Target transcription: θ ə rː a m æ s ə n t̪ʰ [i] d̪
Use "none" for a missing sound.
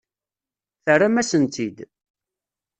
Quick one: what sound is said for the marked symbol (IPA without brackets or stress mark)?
i